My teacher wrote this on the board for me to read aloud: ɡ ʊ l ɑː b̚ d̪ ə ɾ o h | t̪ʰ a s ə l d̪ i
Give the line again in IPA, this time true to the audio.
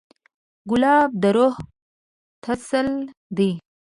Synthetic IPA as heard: ɡ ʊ l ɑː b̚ d̪ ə ɾ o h | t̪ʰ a s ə l d̪ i